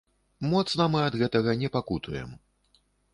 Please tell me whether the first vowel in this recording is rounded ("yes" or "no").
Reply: yes